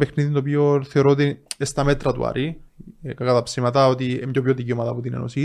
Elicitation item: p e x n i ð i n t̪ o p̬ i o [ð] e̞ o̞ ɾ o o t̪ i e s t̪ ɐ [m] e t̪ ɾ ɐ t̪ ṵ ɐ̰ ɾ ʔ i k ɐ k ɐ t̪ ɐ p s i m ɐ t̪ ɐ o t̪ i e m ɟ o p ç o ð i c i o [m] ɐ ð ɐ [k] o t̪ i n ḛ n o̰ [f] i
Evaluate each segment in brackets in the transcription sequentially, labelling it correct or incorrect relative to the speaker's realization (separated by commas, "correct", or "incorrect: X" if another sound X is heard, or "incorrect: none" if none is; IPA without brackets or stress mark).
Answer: incorrect: θ, correct, correct, incorrect: p, incorrect: s